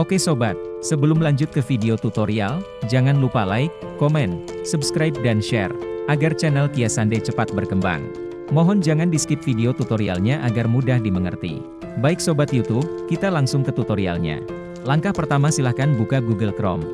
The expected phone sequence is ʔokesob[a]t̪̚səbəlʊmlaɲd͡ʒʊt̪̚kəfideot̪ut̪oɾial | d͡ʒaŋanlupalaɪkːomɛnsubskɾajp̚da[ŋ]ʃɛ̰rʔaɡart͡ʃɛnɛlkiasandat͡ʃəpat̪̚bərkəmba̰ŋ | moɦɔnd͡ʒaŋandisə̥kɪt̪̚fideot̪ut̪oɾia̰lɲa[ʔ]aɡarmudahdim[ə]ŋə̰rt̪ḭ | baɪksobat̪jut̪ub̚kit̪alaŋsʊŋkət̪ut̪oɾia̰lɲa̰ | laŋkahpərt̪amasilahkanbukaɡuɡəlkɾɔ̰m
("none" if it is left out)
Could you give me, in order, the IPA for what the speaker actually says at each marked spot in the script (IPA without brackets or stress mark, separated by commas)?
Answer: a, n, ʔ, ə